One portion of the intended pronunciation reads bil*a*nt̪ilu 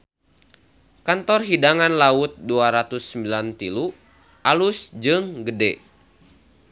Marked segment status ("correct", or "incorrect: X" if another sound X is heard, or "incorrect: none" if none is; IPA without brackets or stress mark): correct